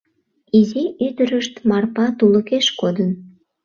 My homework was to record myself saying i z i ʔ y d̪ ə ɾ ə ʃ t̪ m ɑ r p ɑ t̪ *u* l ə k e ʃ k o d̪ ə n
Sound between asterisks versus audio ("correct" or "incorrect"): correct